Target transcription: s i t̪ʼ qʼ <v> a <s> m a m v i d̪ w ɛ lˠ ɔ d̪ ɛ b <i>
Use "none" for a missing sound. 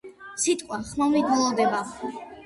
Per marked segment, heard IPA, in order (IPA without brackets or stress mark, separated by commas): w, χ, a